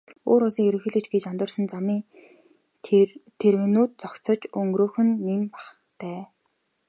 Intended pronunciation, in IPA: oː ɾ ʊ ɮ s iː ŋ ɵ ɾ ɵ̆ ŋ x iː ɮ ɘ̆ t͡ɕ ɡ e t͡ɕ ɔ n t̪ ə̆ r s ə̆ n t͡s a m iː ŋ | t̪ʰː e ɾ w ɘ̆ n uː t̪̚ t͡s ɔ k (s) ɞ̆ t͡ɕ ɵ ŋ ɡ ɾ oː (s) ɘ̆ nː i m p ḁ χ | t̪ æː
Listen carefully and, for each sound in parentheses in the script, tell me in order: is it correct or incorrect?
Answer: incorrect, incorrect

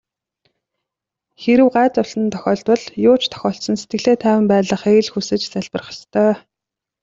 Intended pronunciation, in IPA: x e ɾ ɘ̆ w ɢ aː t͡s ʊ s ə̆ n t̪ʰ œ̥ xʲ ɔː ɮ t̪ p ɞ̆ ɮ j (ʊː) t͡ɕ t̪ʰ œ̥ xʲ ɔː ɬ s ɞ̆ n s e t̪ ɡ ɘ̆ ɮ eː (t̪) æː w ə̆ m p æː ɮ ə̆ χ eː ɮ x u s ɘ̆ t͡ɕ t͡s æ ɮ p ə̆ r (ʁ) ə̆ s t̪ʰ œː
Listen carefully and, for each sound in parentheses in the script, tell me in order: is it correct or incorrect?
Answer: correct, incorrect, incorrect

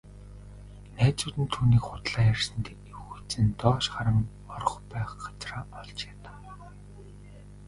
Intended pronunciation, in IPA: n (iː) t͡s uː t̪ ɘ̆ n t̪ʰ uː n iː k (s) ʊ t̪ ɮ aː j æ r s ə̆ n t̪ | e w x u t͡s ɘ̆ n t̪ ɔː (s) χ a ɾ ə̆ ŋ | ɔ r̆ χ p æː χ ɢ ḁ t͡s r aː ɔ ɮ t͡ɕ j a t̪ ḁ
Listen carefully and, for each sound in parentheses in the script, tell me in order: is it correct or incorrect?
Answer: incorrect, incorrect, incorrect

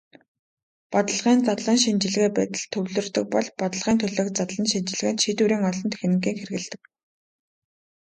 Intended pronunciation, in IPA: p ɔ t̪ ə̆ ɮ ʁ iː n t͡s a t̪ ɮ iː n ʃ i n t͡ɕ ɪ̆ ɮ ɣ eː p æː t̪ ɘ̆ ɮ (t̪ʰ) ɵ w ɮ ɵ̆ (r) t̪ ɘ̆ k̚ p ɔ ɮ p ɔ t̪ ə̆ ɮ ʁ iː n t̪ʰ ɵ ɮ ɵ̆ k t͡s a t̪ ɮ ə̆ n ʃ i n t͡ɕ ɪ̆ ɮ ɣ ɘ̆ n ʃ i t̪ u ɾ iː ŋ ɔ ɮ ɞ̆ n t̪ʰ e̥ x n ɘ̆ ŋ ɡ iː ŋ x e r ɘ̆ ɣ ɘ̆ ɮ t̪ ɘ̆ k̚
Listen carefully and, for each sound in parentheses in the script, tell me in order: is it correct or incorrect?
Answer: correct, correct

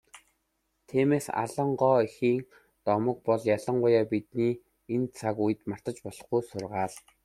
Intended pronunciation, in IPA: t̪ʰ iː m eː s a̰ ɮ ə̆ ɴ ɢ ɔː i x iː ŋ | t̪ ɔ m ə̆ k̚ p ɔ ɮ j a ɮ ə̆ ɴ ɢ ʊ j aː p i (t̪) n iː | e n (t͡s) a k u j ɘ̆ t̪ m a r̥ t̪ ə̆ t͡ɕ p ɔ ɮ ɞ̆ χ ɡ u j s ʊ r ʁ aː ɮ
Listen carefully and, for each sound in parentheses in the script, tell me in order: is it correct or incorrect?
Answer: correct, incorrect

